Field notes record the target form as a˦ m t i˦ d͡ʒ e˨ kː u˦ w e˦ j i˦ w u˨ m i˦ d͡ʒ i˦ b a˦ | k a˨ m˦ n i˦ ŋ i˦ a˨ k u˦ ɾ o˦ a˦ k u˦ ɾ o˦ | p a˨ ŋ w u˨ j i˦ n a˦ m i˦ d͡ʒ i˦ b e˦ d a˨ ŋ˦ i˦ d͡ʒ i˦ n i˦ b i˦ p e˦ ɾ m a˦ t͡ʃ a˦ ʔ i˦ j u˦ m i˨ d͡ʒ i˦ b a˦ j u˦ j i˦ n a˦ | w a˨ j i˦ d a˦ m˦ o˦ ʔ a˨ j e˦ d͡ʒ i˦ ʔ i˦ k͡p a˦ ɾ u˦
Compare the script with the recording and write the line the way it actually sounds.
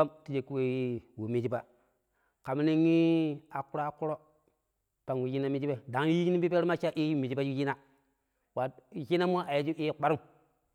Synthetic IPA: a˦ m t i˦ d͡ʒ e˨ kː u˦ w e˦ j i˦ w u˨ m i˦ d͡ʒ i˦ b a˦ | k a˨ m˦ n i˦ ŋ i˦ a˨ k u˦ ɾ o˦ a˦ k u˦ ɾ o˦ | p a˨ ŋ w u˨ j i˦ n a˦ m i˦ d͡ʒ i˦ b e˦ d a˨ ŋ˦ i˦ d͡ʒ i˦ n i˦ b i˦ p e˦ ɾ m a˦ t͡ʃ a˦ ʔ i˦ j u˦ m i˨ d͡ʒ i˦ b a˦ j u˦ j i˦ n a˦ | w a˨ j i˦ n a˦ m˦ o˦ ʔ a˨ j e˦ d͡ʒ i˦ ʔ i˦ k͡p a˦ ɾ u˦